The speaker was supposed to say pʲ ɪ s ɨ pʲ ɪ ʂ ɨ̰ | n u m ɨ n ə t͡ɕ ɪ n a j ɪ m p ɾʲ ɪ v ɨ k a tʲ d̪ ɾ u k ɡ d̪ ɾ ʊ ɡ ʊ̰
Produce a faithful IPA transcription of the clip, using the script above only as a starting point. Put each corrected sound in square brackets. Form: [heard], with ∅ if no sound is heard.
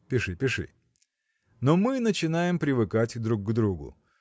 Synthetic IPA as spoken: pʲ ɪ [ʂ] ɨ pʲ ɪ ʂ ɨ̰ | n [o] m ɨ n ə t͡ɕ ɪ n a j ɪ m p ɾʲ ɪ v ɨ k a tʲ d̪ ɾ u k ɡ d̪ ɾ [u] ɡ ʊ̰